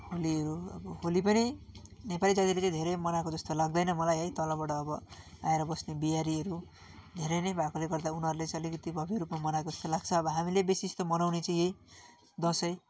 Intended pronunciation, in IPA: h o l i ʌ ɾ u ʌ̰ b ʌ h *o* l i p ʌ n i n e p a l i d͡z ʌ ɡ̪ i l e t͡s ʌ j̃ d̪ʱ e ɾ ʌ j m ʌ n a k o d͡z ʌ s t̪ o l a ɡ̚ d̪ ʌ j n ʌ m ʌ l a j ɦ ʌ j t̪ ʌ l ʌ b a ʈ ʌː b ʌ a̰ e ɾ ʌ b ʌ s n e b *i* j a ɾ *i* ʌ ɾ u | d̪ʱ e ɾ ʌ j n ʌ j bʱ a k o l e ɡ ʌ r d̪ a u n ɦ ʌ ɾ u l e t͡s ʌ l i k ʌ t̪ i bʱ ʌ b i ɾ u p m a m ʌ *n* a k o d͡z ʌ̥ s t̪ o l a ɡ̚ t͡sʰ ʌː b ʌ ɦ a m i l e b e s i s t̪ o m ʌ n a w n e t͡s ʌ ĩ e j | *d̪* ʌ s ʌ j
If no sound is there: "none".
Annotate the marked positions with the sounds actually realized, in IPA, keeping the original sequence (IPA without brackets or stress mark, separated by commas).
o, i, i, n, d̪